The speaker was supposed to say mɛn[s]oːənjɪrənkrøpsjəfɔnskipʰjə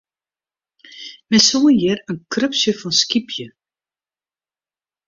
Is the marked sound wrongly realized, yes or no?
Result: no